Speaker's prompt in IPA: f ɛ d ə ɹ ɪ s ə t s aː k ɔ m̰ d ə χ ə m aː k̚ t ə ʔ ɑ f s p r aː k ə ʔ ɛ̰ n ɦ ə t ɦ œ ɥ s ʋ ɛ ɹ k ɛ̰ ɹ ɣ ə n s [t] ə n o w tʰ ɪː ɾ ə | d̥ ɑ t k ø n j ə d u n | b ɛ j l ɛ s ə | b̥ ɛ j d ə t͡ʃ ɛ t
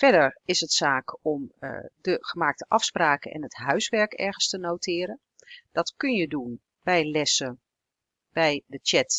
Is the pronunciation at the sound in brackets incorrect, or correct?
correct